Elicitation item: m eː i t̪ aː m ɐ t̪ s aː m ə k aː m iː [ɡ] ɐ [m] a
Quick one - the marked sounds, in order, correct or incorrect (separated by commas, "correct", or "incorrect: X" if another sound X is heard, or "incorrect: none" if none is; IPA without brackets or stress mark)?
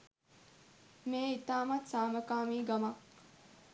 correct, correct